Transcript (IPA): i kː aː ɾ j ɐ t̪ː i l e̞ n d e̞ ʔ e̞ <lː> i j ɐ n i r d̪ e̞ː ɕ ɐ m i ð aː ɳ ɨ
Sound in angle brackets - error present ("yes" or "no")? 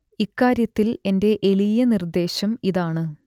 yes